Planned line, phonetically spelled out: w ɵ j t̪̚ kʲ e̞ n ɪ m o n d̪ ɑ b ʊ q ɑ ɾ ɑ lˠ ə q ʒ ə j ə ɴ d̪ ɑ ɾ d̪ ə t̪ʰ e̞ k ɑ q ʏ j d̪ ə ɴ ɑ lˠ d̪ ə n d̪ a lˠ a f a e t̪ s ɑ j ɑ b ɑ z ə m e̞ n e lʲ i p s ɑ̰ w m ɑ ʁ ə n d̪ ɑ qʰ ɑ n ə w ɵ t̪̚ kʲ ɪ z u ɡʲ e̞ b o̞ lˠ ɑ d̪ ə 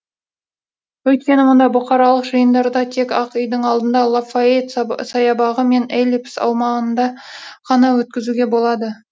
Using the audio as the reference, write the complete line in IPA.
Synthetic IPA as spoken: w ɵ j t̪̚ kʲ e̞ n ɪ m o n d̪ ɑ b ʊ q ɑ ɾ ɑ lˠ ə q ʒ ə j ə n d̪ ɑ ɾ d̪ ɑ t̪ʰ e̞ k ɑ q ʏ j d̪ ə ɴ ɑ lˠ d̪ ə n d̪ ɑ lˠ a f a e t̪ s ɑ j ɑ b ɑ ʁ ə m e̞ n e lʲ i p s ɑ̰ w m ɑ ʁ ə n d̪ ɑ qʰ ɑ n ɑ w ɵ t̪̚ kʲ ɪ z u ɡʲ e̞ b o̞ lˠ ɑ d̪ ə